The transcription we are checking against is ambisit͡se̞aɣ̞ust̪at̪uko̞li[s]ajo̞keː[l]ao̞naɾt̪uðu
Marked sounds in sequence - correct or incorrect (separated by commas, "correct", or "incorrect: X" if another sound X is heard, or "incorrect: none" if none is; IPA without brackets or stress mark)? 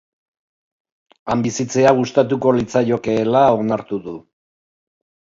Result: incorrect: t͡s, correct